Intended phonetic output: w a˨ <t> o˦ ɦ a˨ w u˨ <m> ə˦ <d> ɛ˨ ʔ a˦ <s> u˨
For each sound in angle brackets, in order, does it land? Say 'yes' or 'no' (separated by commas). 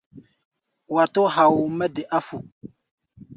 yes, yes, yes, no